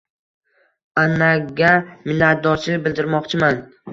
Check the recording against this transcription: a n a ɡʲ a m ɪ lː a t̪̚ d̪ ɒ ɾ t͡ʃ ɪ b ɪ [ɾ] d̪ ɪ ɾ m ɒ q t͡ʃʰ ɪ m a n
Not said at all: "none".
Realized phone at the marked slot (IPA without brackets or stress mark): l